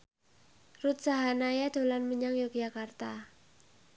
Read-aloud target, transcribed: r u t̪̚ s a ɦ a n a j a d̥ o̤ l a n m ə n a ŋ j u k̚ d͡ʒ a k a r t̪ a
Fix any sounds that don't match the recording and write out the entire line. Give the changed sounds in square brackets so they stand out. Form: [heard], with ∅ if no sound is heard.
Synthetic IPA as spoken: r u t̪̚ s a ɦ a n a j a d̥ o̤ l a n m ə [ɲ] a ŋ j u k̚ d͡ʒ a k a r t̪ a